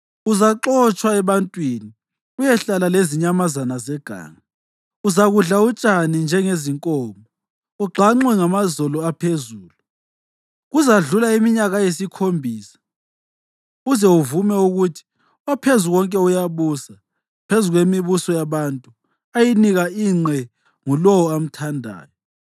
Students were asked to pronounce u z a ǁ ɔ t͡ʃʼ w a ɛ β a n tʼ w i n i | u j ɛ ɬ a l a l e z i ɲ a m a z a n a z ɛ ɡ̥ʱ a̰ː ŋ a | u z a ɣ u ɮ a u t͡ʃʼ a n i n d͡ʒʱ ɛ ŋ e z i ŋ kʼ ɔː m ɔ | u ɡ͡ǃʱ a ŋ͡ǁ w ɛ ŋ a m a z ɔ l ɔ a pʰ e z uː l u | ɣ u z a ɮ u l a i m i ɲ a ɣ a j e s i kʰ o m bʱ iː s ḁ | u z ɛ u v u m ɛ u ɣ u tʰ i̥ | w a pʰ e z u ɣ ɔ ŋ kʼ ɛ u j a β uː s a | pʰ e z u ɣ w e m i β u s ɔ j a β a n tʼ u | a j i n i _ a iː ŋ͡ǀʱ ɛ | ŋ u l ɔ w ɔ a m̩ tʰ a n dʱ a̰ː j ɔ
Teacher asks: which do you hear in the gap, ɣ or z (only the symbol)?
ɣ